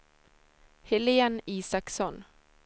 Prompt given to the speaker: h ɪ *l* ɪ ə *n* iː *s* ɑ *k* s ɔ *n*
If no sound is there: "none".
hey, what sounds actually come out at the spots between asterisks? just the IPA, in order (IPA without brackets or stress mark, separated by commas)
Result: l, n, s, k, n